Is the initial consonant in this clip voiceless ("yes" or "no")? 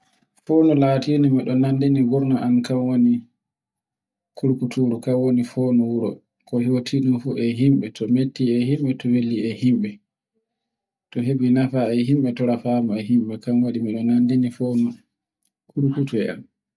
yes